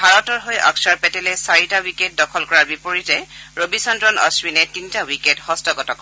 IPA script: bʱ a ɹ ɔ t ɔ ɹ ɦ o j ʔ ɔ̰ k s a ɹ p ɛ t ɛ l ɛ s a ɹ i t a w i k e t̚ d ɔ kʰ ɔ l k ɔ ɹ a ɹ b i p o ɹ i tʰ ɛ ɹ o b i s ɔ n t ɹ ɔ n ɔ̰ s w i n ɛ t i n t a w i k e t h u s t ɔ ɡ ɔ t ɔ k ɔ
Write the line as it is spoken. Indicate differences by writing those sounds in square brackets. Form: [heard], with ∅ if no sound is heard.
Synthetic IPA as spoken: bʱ a ɹ ɔ t ɔ ɹ ɦ o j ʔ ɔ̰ k s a ɹ p ɛ t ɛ l ɛ s a ɹ i t a w i k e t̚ d ɔ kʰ ɔ l k ɔ ɹ a ɹ b i p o ɹ i [t] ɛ ɹ o b i s ɔ n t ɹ ɔ n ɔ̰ s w i n ɛ t i n t a w i k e t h [ɔ] s t ɔ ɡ ɔ t ɔ k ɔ

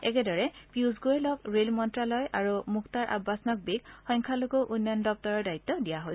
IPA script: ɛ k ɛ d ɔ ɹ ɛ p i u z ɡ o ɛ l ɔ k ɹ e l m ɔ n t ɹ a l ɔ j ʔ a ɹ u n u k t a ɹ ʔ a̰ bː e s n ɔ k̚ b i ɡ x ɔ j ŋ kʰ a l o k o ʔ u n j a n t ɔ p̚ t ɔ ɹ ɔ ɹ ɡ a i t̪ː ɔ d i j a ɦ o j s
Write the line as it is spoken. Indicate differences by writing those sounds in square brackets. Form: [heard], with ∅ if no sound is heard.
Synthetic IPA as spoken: ɛ k ɛ d ɔ ɹ ɛ p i u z ɡ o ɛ l ɔ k ɹ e l m ɔ n t ɹ a l ɔ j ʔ a ɹ u [m] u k t a ɹ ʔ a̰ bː [a] s n ɔ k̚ b i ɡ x ɔ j ŋ kʰ a l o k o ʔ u n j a n [d] ɔ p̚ t ɔ ɹ ɔ ɹ [d] a i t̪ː ɔ d i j a ɦ o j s

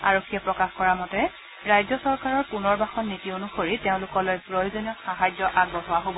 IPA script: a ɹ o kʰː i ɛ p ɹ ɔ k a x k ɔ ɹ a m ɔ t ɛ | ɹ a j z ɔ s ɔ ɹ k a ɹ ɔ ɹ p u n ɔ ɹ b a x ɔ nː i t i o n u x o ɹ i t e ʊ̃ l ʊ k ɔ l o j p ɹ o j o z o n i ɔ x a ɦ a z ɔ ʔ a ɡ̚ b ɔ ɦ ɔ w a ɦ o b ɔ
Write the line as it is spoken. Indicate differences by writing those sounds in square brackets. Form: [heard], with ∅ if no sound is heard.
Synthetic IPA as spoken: a ɹ o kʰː i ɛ p ɹ ɔ k a x k ɔ ɹ a m ɔ t ɛ | ɹ a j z ɔ s ɔ ɹ k a ɹ ɔ ɹ p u n ɔ ɹ b a x ɔ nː i t i o n u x o ɹ i t e ʊ̃ l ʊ k ɔ l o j p ɹ o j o z o n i ɔ x a ɦ a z ɔ ʔ a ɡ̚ b ɔ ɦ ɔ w a ɦ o b ɔ

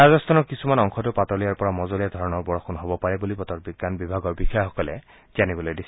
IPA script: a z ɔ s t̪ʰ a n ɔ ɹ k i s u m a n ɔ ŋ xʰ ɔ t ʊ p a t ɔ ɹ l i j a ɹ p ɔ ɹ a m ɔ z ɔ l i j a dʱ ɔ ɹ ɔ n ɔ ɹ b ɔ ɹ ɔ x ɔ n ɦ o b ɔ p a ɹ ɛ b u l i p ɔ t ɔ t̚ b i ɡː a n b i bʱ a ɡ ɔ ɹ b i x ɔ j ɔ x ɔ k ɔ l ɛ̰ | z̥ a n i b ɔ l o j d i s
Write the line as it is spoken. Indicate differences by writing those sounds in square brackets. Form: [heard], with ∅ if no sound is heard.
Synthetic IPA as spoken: a z ɔ s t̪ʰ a n ɔ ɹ k i s u m a n ɔ ŋ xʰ ɔ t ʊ p a t ɔ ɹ l i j a ɹ p ɔ ɹ a m ɔ z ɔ l i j a dʱ ɔ ɹ ɔ n ɔ ɹ b ɔ ɹ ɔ x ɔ n ɦ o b ɔ p a ɹ ɛ b u l i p ɔ t ɔ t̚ b i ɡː a n b i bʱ a ɡ ɔ ɹ b i x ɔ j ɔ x ɔ k ɔ l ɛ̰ | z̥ a n i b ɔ l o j d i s

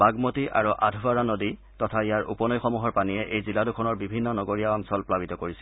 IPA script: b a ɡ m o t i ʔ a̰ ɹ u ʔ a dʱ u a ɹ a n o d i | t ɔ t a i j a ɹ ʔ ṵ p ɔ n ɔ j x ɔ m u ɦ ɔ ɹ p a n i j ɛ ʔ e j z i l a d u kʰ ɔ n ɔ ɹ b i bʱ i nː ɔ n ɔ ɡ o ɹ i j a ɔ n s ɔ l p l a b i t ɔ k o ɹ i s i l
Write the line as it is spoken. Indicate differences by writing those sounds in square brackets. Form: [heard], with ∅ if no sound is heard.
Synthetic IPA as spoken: b a ɡ m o t i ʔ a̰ ɹ u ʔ a dʱ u a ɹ a n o d i | t ɔ [tʰ] a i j a ɹ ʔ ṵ p ɔ n ɔ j x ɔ m u ɦ ɔ ɹ p a n i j ɛ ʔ e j z i l a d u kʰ ɔ n ɔ ɹ b i bʱ i nː ɔ n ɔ ɡ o ɹ i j a ɔ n s ɔ l p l a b i t ɔ k o ɹ i s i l

